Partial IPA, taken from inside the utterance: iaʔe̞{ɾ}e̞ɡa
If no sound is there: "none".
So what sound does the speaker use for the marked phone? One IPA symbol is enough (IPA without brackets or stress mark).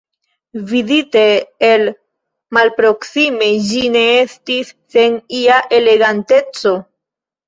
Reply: l